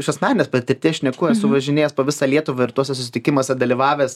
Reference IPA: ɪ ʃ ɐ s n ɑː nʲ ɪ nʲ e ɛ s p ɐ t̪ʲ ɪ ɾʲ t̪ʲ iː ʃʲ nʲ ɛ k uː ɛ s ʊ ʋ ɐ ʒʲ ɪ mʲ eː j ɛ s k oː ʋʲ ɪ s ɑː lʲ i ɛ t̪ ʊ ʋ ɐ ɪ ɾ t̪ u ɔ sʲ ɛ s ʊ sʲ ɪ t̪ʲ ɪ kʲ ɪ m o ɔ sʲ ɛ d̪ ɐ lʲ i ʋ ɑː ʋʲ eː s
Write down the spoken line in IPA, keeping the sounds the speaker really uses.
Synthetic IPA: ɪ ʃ ɐ s n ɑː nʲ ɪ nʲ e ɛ s p ɐ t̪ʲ ɪ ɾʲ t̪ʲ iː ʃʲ nʲ ɛ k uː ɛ s ʊ ʋ ɐ ʒʲ ɪ nʲ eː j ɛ s p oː ʋʲ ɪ s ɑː lʲ i ɛ t̪ ʊ ʋ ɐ ɪ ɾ t̪ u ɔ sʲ ɛ s ʊ sʲ ɪ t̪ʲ ɪ kʲ ɪ m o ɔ sʲ ɛ d̪ ɐ lʲ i ʋ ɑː ʋʲ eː s

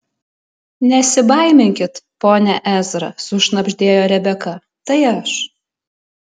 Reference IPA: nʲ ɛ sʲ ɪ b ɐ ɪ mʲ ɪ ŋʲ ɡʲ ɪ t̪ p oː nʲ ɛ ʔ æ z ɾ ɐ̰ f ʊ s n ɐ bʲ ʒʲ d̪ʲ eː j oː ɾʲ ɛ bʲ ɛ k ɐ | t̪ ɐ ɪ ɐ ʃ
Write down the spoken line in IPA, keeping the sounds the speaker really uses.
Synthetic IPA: nʲ ɛ sʲ ɪ b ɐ ɪ mʲ ɪ ŋʲ kʲ ɪ t̪ p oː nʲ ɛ ʔ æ z ɾ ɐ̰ s ʊ ʃ n ɐ bʲ ʒʲ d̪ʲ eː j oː ɾʲ ɛ bʲ ɛ k ɐ | t̪ ɐ ɪ ɐ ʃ

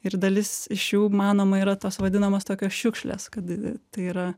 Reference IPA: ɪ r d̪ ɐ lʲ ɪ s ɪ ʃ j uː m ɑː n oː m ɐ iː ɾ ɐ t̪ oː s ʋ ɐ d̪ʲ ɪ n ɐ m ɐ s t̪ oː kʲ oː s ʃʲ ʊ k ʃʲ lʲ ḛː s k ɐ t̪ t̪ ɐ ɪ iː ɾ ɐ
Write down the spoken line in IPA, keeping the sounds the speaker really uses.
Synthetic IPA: ɪ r d̪ ɐ lʲ ɪ s ɪ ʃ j uː m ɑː n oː m ɐ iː ɾ ɐ t̪ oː s ʋ ɐ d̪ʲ ɪ n ɐ m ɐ s t̪ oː kʲ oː s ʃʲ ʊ k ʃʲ lʲ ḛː s k ɐ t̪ t̪ ɐ ɪ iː ɾ ɐ

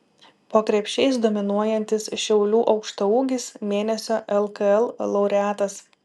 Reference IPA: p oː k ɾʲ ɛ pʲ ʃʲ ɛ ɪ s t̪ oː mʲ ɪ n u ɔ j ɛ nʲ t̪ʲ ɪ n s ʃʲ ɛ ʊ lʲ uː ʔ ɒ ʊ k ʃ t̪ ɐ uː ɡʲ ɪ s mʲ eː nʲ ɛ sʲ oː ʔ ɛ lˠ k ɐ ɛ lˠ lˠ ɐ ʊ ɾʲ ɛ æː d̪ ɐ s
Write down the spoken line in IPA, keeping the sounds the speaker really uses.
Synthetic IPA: p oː k ɾʲ ɛ pʲ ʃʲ ɛ ɪ s d̪ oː mʲ ɪ n u ɔ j ɛ nʲ t̪ʲ ɪ s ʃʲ ɛ ʊ lʲ uː ʔ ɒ ʊ k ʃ t̪ ɐ uː ɡʲ ɪ s mʲ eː nʲ ɛ sʲ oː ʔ ɛ lˠ k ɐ ɛ lˠ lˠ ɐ ʊ ɾʲ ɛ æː t̪ ɐ s

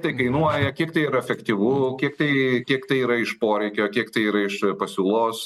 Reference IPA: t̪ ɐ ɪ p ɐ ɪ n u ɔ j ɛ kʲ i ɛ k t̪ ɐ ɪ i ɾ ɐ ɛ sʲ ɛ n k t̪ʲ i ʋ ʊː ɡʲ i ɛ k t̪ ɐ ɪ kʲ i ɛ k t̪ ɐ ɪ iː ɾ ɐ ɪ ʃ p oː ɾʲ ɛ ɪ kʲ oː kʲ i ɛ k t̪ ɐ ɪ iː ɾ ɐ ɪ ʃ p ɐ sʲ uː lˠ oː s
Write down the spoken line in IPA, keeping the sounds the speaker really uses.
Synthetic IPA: t̪ ɐ ɪ k ɐ ɪ n u ɔ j ɛ kʲ i ɛ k t̪ ɐ ɪ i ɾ ɐ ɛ fʲ ɛ k t̪ʲ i ʋ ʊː kʲ i ɛ k t̪ ɐ ɪ kʲ i ɛ k t̪ ɐ ɪ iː ɾ ɐ ɪ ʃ p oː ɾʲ ɛ ɪ kʲ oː kʲ i ɛ k t̪ ɐ ɪ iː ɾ ɐ ɪ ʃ p ɐ sʲ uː lˠ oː s

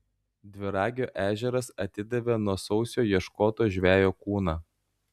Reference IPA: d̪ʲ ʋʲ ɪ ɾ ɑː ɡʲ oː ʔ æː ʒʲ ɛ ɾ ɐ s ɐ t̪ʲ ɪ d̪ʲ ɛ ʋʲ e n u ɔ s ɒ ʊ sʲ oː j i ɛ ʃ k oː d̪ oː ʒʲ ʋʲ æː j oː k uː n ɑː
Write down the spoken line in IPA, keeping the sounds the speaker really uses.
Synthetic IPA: d̪ʲ ʋʲ ɪ ɾ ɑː ɡʲ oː ʔ æː ʒʲ ɛ ɾ ɐ s ɐ t̪ʲ ɪ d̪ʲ ɛ ʋʲ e n u ɔ s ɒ ʊ sʲ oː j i ɛ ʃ k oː t̪ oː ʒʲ ʋʲ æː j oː k uː n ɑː

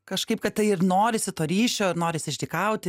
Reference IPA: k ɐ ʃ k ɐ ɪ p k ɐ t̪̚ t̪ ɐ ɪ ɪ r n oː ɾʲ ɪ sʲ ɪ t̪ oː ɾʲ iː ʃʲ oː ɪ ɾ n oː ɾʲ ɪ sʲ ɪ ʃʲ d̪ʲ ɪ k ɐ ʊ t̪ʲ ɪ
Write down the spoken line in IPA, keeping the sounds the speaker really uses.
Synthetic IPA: k ɐ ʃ k ɐ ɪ p k ɐ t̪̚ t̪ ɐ ɪ ɪ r n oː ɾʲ ɪ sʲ ɪ t̪ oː ɾʲ iː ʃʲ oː ɪ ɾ n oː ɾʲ ɪ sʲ ɪ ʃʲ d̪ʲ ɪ k ɐ ʊ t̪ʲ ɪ

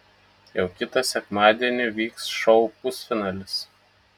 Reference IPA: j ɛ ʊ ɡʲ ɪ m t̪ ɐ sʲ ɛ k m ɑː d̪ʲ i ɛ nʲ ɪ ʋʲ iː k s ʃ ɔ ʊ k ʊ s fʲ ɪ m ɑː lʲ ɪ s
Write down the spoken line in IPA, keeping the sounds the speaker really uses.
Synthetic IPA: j ɛ ʊ kʲ ɪ t̪ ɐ sʲ ɛ k m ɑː d̪ʲ i ɛ nʲ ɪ ʋʲ iː k s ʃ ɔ ʊ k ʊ s fʲ ɪ n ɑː lʲ ɪ s

